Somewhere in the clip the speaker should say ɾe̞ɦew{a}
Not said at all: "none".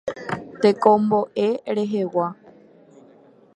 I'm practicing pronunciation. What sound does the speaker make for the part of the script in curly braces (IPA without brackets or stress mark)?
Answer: a